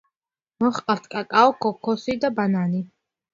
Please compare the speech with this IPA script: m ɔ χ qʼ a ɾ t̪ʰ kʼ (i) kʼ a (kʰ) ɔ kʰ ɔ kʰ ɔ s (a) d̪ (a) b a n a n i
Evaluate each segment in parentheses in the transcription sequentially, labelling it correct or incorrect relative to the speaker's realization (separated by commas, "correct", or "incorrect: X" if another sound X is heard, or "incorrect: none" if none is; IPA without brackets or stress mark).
incorrect: a, incorrect: none, incorrect: i, correct